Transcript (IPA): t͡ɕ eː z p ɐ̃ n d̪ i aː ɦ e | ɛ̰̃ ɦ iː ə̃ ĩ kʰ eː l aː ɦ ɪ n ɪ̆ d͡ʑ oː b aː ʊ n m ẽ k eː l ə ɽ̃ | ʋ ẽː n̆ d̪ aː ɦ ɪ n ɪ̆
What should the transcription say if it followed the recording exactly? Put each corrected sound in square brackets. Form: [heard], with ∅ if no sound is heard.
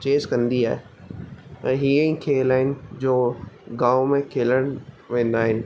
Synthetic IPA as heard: t͡ɕ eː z [k] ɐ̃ n d̪ i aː ɦ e | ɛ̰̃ ɦ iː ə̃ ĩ kʰ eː l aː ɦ ɪ n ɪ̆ d͡ʑ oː [ɡ] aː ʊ [∅] m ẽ [kʰ] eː l ə ɽ̃ | ʋ ẽː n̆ d̪ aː ɦ ɪ n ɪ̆